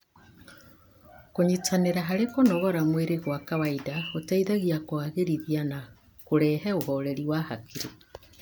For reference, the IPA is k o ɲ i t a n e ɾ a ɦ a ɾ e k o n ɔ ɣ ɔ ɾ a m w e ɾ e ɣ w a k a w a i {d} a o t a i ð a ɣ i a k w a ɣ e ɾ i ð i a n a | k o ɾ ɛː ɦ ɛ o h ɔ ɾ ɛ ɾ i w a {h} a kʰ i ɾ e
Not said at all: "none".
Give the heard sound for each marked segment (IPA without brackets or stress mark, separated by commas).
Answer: d, h